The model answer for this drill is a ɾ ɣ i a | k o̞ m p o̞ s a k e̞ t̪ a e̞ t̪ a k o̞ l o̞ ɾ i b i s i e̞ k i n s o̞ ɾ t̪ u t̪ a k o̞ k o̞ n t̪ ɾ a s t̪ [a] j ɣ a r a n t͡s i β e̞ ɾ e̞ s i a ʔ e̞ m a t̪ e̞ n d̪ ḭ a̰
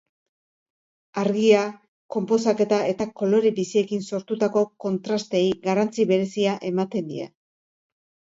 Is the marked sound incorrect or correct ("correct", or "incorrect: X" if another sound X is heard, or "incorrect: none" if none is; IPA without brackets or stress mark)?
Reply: incorrect: e